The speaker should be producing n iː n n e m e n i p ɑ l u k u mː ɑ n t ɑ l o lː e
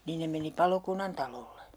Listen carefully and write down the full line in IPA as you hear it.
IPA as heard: n iː n n e m e n i p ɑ l o k u nː ɑ n t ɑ l o lː e